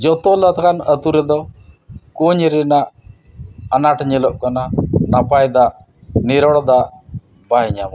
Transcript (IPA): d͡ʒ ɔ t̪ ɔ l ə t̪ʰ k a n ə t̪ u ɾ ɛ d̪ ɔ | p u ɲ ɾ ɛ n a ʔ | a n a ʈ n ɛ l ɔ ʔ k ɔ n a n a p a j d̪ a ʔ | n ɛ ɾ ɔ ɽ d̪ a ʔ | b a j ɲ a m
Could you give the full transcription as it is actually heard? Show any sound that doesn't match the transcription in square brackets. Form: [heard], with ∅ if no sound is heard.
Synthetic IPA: d͡ʒ ɔ t̪ ɔ l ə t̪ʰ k a n ə t̪ u ɾ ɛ d̪ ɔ | [k] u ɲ ɾ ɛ n a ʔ | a n a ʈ [ɲ] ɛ l ɔ ʔ k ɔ n a n a p a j d̪ a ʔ | n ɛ ɾ ɔ ɽ d̪ a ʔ | b a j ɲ a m